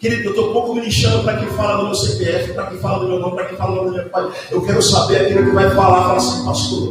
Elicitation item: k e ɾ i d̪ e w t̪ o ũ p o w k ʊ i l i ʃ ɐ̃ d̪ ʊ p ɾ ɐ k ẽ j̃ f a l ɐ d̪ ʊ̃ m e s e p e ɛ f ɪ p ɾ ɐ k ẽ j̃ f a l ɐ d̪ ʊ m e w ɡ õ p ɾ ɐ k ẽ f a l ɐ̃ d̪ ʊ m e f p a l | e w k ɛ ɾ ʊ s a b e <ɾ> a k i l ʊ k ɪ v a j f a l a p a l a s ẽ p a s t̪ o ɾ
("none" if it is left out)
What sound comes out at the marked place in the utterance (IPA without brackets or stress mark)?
ɾ